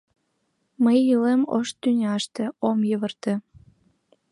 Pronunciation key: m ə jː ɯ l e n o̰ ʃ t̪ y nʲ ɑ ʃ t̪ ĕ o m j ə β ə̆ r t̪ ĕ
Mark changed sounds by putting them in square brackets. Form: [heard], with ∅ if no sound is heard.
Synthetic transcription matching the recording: m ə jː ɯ l e [m] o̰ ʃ t̪ y nʲ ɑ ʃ t̪ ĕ o m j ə β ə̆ r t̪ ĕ